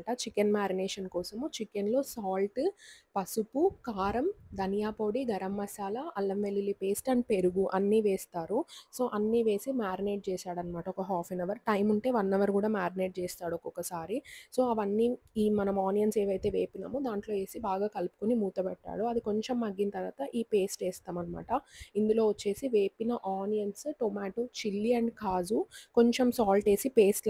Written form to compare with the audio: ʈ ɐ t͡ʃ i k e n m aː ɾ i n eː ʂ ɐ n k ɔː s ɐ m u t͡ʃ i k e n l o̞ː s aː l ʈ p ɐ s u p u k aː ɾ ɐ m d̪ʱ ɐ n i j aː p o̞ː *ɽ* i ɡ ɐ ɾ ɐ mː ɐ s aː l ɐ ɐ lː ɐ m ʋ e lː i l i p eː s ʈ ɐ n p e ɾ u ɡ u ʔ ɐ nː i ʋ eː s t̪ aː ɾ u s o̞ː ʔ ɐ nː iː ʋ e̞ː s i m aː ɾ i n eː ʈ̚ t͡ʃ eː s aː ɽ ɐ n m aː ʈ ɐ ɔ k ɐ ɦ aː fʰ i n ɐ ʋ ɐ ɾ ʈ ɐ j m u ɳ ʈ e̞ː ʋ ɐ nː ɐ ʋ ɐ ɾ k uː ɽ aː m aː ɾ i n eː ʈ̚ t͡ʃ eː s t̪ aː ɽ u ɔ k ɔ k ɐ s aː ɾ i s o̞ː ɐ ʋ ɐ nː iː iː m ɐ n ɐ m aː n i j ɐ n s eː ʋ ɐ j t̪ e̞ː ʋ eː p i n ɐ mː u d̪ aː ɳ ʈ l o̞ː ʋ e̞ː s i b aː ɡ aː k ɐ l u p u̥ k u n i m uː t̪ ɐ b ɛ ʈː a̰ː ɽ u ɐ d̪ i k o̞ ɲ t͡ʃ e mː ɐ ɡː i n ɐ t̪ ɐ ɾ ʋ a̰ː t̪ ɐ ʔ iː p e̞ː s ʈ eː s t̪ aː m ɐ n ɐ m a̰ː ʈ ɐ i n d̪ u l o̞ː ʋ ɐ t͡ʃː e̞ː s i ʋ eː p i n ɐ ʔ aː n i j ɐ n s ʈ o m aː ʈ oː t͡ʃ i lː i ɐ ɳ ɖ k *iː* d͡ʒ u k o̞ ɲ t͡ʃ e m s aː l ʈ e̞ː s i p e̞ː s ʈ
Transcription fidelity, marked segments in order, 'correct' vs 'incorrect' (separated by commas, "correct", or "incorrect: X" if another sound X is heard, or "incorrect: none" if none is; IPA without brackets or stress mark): correct, incorrect: aː